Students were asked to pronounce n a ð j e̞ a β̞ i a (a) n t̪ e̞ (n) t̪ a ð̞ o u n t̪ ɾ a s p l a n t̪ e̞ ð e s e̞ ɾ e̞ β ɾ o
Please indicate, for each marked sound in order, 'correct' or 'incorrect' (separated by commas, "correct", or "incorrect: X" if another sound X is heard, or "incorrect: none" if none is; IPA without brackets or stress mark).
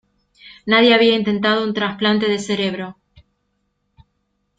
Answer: incorrect: i, correct